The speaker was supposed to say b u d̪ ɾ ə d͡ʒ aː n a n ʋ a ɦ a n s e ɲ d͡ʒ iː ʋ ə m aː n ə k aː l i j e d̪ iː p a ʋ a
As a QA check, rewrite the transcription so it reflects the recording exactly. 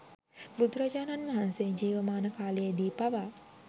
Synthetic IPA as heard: b u d̪ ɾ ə d͡ʒ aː n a n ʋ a ɦ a n s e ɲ d͡ʒ iː ʋ ə m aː n ə k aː l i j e d̪ iː p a ʋ a